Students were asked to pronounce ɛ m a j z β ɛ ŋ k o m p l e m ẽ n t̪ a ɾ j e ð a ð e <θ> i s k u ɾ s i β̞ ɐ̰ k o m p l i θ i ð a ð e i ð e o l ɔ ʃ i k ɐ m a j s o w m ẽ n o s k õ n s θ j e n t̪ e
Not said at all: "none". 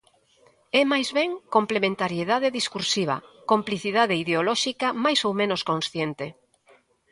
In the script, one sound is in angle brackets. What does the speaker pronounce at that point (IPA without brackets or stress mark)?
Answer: ð